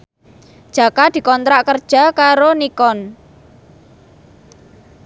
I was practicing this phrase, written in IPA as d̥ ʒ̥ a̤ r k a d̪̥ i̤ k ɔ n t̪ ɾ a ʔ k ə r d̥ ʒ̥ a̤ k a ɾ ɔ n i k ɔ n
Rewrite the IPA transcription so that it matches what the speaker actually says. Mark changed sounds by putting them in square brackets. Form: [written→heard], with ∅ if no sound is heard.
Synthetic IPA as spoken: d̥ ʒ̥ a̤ [r→∅] k a d̪̥ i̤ k ɔ n t̪ ɾ a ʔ k ə r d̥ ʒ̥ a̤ k a ɾ [ɔ→o] n i k ɔ n